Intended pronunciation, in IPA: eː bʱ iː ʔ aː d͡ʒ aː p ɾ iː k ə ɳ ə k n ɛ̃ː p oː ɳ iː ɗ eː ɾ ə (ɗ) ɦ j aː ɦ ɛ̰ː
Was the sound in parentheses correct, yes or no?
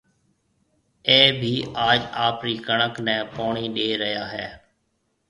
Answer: no